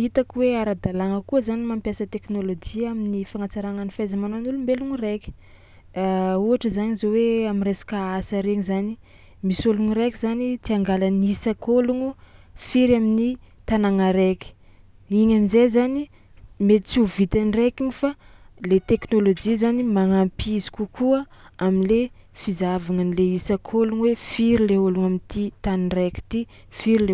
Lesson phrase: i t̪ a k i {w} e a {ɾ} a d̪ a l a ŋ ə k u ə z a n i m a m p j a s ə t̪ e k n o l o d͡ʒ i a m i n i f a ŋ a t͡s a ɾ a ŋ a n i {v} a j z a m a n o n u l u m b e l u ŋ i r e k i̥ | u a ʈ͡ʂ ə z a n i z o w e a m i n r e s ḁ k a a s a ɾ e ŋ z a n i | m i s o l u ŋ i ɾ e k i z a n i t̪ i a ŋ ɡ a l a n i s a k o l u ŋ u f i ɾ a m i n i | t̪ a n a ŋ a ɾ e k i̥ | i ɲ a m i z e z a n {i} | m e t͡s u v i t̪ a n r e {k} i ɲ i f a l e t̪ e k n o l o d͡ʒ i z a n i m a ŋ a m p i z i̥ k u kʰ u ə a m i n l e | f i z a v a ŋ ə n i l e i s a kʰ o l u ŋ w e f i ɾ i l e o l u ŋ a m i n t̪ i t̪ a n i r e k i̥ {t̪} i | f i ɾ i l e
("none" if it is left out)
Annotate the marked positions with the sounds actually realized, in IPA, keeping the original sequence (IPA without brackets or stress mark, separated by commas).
w, ɾ, f, i, k, t̪